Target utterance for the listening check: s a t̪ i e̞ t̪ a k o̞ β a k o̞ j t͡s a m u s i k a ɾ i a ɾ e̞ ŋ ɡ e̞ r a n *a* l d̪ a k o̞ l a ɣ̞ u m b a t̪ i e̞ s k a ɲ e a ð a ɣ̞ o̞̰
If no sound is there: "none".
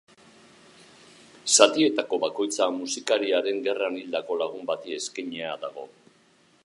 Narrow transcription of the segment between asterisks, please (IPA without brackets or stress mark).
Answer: i